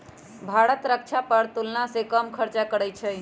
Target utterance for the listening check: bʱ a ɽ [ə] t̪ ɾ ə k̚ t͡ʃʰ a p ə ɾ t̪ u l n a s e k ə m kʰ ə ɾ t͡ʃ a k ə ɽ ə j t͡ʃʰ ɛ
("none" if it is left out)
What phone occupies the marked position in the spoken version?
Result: ə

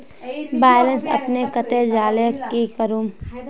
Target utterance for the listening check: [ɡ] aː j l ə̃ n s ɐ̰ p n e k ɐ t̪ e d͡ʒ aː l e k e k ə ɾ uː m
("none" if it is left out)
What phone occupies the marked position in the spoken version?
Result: b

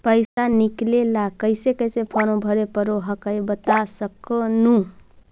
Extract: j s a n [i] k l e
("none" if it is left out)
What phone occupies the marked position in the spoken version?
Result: i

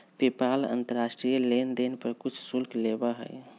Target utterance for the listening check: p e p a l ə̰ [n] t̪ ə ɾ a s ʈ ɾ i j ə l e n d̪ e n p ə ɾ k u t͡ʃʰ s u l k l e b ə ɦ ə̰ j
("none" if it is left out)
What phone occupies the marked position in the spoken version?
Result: n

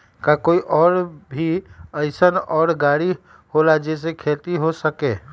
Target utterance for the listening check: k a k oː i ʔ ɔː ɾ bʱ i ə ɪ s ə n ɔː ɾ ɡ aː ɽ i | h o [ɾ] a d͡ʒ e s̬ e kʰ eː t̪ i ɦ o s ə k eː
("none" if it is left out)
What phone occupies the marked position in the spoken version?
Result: l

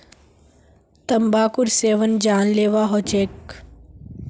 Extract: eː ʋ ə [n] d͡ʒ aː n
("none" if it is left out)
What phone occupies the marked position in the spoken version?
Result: n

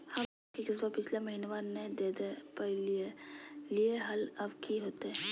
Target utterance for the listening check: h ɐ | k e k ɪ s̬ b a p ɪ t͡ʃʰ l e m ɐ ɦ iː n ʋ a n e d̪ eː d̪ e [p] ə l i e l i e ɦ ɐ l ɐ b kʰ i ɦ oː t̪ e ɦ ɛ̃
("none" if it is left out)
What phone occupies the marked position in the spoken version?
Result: p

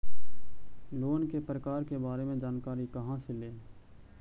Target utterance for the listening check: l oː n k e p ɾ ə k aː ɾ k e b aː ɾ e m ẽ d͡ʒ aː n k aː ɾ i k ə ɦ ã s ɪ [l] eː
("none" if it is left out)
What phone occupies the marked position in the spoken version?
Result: l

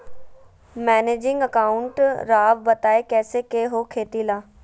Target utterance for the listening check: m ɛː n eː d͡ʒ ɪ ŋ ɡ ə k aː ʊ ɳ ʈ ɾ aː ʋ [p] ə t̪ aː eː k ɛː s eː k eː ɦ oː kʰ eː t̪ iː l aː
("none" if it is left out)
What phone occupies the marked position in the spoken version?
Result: b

